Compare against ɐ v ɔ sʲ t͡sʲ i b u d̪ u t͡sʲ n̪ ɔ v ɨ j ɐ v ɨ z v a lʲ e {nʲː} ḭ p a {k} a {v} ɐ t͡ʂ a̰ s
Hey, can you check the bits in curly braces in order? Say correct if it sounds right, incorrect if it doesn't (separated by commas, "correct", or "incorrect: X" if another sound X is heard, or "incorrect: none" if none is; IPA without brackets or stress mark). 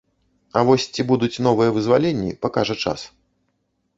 correct, correct, incorrect: ʐ